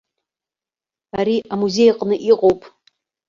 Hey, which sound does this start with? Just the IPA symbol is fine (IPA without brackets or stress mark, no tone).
a